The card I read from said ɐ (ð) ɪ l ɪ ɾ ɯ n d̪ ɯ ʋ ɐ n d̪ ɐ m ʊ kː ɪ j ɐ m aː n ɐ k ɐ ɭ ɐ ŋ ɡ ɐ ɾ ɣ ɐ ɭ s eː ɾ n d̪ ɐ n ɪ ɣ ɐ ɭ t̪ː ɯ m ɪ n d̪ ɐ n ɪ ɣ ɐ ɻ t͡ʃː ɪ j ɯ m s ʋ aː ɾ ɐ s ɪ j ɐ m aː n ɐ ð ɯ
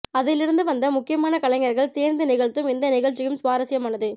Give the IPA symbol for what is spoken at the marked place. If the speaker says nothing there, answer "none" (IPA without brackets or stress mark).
ð